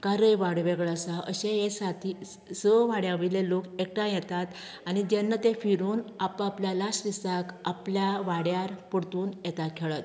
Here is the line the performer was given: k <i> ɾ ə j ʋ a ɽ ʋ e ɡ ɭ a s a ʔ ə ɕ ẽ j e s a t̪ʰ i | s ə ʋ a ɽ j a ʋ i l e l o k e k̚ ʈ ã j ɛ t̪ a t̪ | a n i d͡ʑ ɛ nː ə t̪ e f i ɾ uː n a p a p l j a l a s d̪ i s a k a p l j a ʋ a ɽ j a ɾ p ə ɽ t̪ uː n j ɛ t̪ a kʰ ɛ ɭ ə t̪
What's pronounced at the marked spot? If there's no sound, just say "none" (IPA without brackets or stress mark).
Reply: a